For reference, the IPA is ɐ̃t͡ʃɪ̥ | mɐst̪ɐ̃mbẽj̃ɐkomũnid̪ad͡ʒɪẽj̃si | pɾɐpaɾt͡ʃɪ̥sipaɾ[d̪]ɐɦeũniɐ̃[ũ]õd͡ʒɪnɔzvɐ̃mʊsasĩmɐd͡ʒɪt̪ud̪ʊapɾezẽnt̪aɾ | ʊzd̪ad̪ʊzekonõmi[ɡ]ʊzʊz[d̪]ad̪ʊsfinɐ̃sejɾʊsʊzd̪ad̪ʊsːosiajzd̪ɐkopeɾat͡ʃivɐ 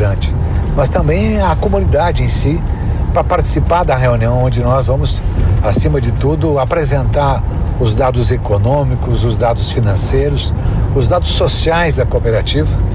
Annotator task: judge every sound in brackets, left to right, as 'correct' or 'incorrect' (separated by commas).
correct, incorrect, incorrect, correct